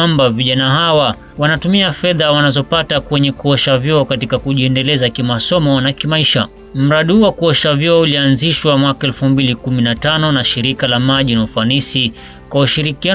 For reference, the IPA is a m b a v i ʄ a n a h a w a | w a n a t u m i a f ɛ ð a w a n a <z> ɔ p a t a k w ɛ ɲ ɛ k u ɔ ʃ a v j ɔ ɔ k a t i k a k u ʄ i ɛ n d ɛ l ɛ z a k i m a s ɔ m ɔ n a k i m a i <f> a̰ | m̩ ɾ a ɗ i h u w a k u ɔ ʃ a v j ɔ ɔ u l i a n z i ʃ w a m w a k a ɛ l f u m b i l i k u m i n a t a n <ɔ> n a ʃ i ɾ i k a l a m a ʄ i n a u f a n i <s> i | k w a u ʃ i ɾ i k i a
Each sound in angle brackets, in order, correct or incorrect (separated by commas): correct, incorrect, correct, correct